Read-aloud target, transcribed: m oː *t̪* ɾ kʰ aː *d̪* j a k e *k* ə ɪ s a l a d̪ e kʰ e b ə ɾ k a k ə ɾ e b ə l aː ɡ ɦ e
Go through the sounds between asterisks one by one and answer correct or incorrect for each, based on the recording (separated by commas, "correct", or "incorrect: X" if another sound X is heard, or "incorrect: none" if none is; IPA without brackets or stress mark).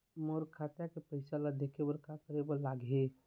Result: incorrect: none, incorrect: t̪, incorrect: p